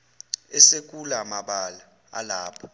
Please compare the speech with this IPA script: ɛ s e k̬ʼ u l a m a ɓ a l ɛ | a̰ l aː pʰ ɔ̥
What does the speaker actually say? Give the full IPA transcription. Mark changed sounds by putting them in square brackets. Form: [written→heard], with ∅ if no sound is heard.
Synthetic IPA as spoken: ɛ s e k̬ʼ u l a m a ɓ a l [ɛ→a] | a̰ l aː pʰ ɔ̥